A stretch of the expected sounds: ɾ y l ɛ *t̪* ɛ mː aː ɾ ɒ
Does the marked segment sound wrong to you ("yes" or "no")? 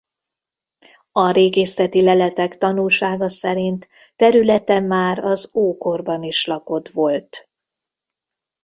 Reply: no